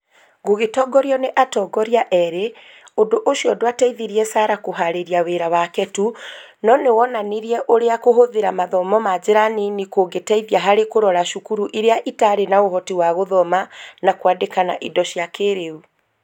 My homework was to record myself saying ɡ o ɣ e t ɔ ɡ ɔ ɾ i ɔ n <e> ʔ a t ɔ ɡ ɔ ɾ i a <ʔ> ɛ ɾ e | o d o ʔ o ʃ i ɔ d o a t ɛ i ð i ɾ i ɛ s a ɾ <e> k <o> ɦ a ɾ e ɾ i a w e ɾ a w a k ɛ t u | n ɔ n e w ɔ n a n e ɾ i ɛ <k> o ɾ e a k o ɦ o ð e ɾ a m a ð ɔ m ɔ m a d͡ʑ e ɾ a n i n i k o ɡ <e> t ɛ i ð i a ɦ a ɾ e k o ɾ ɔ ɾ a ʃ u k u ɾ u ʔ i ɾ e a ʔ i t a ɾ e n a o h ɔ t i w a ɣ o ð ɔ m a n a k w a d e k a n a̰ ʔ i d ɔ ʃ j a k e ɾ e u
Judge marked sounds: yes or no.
yes, yes, no, yes, no, yes

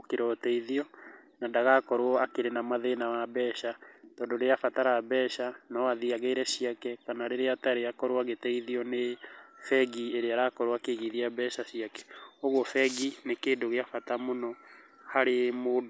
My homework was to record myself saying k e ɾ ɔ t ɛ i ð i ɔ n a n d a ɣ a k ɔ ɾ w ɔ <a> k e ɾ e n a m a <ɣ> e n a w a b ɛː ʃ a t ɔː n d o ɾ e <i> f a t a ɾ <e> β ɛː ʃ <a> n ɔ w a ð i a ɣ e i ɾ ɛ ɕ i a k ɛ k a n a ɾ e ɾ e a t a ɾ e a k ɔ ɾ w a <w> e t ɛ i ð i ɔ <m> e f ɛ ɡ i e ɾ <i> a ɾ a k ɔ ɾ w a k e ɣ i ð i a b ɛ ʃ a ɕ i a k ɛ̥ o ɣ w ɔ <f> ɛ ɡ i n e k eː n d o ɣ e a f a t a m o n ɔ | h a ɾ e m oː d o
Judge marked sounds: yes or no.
yes, no, no, no, yes, no, no, no, yes

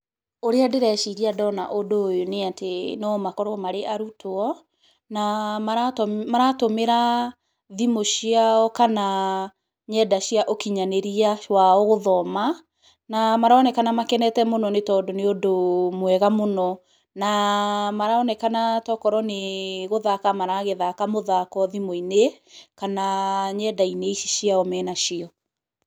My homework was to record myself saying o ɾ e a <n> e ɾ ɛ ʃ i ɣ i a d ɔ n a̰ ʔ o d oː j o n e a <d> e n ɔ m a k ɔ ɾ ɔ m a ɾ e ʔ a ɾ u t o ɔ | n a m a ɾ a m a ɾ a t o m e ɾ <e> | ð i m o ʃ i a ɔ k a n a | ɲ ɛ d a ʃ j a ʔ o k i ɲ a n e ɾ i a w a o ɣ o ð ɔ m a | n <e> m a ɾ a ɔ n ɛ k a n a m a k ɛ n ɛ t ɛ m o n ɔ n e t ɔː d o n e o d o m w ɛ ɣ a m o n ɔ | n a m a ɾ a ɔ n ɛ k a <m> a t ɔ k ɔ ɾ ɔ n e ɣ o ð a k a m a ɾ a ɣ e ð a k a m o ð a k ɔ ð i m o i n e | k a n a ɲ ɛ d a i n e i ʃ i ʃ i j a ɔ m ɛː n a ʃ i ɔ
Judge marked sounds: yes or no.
no, no, no, no, no

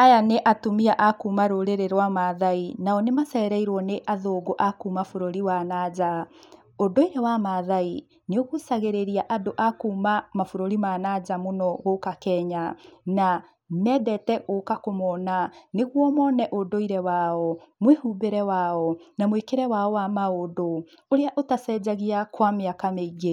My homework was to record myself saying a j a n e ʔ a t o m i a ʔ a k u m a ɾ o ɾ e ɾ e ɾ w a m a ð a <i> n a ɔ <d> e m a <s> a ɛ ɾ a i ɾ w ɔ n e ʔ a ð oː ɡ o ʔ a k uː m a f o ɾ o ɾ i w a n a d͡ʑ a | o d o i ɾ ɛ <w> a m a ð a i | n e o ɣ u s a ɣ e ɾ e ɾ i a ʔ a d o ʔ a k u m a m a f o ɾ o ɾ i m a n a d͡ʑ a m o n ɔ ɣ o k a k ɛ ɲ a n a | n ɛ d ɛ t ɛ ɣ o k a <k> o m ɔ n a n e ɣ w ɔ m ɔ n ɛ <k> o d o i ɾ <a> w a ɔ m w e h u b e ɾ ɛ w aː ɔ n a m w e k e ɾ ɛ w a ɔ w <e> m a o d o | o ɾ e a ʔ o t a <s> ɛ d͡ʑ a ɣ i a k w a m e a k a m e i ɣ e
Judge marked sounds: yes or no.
yes, no, yes, yes, yes, no, no, no, yes

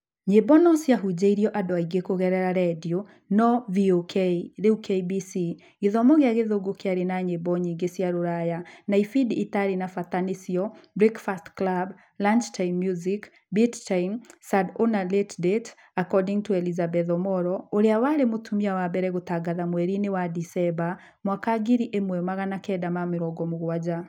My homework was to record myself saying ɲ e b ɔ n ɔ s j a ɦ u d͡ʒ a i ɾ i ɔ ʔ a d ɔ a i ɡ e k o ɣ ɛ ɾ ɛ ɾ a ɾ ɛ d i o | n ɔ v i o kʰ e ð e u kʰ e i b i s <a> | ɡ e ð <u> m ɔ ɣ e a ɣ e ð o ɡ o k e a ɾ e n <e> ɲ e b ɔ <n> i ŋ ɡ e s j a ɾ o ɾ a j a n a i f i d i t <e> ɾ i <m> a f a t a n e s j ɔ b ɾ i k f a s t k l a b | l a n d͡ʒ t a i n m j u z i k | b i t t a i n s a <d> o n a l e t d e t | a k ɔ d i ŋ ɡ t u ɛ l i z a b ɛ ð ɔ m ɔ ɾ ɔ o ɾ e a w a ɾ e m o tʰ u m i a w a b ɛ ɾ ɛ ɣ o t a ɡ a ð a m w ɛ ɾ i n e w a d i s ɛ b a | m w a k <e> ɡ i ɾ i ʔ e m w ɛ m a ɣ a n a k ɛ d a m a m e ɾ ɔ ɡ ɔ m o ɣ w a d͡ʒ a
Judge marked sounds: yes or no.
no, no, no, no, no, no, yes, no

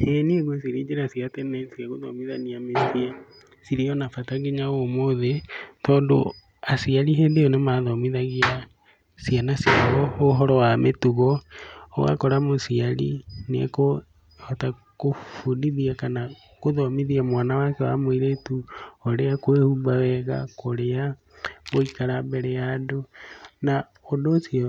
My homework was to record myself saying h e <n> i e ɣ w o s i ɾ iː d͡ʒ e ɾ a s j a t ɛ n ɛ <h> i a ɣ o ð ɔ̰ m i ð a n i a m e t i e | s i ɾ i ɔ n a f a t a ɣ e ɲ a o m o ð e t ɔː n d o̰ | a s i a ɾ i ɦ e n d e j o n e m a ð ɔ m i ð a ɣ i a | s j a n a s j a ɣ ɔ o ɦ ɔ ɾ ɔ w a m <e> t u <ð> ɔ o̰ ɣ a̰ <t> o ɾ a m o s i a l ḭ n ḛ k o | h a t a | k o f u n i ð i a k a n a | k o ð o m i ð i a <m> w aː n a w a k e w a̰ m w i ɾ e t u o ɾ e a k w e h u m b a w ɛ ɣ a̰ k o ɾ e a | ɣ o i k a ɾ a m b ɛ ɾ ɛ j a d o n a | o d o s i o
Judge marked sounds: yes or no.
yes, no, yes, no, no, yes

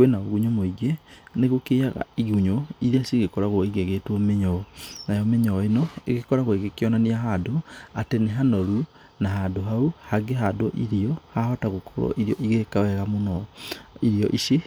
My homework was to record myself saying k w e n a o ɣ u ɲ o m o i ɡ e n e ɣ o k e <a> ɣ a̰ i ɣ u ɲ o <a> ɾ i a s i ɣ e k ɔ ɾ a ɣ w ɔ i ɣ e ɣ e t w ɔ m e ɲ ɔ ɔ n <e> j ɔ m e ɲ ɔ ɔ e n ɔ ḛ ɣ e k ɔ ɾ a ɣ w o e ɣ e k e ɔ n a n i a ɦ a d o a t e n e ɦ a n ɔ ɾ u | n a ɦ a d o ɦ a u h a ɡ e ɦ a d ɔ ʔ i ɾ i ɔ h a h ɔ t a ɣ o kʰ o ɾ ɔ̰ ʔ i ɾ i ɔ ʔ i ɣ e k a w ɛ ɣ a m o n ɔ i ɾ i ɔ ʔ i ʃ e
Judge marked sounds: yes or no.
yes, no, no

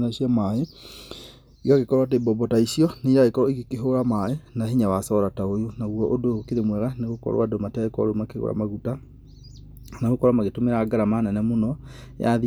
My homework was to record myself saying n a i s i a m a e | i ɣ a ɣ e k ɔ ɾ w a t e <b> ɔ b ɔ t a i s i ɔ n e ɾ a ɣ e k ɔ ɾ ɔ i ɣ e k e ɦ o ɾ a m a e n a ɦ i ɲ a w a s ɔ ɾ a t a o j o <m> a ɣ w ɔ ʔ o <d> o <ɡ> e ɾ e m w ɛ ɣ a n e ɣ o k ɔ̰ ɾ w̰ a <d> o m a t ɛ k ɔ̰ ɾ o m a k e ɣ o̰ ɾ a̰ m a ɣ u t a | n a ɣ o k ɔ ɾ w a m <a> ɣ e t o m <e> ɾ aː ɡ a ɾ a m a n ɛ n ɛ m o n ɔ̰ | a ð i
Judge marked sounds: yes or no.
yes, no, yes, no, yes, yes, yes

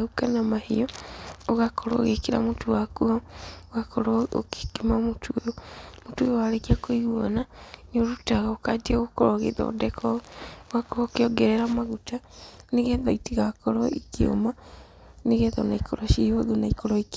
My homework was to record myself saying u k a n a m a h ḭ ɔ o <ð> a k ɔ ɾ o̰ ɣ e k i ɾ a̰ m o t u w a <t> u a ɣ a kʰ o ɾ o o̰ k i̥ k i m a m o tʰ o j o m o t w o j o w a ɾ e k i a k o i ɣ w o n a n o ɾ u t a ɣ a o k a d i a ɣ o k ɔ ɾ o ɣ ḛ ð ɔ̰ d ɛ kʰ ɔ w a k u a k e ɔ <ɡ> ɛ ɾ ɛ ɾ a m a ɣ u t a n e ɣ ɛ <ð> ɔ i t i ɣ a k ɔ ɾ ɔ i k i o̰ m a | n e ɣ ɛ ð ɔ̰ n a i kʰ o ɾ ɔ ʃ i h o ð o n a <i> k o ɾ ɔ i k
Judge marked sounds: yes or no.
no, no, yes, yes, yes

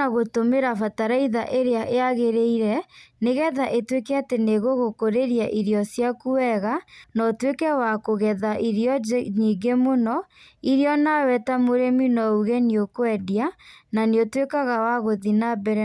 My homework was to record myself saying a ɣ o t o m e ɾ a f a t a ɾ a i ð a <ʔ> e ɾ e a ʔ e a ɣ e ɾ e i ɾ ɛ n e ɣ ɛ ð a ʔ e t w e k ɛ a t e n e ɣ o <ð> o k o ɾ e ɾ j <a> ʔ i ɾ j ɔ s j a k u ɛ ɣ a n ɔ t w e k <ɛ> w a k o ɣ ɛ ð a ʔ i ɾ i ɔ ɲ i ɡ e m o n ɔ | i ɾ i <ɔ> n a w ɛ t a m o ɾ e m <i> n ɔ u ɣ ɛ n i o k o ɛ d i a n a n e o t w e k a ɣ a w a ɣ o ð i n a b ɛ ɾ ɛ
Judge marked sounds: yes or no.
yes, no, yes, yes, yes, yes

